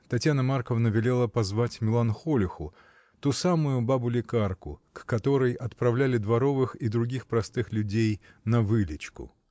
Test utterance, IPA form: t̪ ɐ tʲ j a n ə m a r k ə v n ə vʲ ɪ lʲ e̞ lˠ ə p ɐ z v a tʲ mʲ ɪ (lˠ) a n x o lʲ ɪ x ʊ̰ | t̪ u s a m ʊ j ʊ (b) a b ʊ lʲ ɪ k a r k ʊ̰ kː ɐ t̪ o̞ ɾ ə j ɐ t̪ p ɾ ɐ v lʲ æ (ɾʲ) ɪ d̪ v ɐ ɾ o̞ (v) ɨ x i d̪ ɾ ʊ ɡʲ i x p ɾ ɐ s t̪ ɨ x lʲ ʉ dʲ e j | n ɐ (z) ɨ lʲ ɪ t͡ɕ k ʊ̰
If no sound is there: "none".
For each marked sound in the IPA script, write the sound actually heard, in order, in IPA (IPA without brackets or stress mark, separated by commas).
lˠ, b, lʲ, v, v